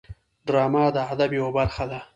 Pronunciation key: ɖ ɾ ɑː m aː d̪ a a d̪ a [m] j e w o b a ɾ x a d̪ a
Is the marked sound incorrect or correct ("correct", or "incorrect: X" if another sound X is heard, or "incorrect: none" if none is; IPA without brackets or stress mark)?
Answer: incorrect: b